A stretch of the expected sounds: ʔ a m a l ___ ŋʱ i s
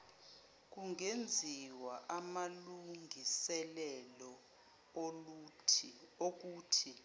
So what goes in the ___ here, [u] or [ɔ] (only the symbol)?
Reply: u